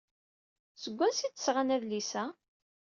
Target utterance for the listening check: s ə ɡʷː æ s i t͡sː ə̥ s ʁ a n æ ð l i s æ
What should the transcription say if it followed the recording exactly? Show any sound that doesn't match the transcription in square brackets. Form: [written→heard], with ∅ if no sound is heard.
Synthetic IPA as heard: s ə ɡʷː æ s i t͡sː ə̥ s ʁ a n æ ð l i s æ